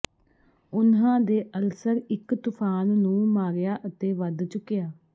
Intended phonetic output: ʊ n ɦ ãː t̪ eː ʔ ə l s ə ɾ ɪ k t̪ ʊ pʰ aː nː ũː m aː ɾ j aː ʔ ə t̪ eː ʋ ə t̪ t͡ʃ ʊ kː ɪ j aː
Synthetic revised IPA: ʊ n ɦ ãː d̪ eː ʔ ə l s ə ɾ ɪ k t̪ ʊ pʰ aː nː ũː m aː ɾ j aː ʔ ə t̪ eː ʋ ə d̪ t͡ʃ ʊ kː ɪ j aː